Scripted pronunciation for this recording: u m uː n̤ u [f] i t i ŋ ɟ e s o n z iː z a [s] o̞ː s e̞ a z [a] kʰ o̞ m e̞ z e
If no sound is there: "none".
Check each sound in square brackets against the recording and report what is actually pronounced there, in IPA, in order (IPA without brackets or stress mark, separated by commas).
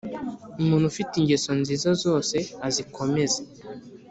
f, z, i